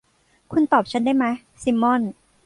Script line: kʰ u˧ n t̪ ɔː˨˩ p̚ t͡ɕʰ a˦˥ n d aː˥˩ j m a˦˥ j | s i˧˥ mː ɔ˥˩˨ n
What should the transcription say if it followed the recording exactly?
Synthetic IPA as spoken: kʰ u˧ n t̪ ɔː˨˩ p̚ t͡ɕʰ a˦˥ n d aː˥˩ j m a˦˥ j | s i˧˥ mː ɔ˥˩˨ n